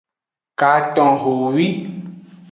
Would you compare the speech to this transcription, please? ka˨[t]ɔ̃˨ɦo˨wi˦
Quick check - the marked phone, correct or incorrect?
correct